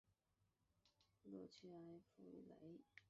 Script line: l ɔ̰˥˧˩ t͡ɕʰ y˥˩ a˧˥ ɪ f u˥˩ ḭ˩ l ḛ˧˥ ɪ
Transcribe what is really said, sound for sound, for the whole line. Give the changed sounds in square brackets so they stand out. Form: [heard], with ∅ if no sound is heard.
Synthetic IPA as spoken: l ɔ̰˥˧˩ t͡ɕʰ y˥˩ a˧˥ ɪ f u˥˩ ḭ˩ l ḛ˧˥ ɪ